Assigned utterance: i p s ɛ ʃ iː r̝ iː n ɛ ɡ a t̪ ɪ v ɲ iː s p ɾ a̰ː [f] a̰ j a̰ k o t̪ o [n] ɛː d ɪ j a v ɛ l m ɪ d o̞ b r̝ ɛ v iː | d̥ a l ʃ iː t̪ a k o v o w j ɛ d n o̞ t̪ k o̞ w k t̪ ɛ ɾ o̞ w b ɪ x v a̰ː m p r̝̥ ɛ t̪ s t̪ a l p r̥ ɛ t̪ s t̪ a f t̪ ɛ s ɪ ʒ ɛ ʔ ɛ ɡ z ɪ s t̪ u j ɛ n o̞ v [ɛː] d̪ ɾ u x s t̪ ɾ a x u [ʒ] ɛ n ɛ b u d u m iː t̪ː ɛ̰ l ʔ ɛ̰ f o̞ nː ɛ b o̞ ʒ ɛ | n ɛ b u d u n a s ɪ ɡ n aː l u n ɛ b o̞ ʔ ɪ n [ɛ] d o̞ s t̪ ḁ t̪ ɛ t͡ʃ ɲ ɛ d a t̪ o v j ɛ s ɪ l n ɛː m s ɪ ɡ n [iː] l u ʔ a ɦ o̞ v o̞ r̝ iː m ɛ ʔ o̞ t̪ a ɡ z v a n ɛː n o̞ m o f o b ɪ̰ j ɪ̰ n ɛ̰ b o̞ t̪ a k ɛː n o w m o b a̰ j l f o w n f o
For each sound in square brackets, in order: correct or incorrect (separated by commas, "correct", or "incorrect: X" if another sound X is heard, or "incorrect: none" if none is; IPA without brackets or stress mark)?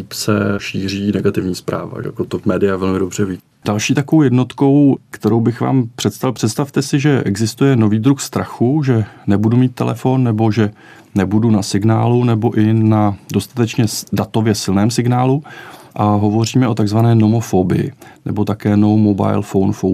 incorrect: v, incorrect: m, incorrect: iː, correct, incorrect: a, incorrect: aː